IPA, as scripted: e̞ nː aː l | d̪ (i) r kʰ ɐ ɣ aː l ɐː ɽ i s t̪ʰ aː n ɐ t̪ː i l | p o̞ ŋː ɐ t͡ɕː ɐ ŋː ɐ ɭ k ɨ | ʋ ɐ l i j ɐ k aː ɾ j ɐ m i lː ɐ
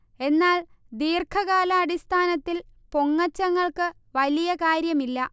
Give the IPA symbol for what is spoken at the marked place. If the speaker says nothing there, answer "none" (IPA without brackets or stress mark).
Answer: iː